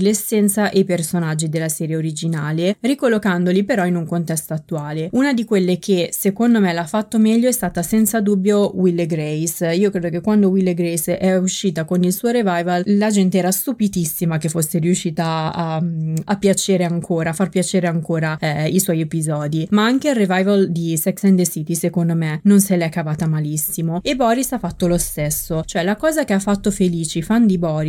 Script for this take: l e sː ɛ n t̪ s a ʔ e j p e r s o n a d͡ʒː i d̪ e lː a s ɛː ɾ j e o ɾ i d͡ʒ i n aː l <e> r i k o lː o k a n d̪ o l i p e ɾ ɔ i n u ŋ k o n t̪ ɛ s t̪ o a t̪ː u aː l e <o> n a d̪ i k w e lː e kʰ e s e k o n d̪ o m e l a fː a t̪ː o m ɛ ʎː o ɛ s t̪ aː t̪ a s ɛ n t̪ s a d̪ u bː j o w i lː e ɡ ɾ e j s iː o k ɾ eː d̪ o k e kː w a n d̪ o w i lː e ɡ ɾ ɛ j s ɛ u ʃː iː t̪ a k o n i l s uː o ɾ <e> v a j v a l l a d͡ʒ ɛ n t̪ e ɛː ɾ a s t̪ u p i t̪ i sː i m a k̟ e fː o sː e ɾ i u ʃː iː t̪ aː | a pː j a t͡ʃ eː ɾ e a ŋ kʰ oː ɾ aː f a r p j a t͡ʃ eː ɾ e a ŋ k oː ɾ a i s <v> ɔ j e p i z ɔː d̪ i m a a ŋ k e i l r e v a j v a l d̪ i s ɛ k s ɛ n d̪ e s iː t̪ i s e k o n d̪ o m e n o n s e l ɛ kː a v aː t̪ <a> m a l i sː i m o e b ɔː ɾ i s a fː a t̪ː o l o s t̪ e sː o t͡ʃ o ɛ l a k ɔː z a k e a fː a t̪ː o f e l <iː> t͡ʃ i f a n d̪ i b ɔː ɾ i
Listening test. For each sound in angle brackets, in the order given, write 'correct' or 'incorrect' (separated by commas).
correct, incorrect, correct, incorrect, correct, correct